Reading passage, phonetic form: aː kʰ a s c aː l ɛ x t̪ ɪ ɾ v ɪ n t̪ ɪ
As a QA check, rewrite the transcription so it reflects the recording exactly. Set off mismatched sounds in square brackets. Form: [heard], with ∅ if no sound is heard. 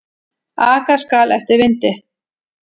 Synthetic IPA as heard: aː [k] a s [k] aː l ɛ [f] t̪ ɪ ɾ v ɪ n t̪ ɪ